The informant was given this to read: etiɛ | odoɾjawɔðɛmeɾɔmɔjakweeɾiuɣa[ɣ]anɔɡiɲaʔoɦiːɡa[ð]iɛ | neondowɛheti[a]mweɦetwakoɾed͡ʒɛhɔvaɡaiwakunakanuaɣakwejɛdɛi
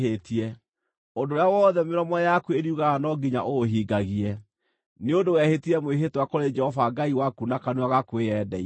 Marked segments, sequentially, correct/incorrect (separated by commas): correct, incorrect, incorrect